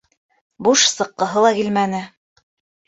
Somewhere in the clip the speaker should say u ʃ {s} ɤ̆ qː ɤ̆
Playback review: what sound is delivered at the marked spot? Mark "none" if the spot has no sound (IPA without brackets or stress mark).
s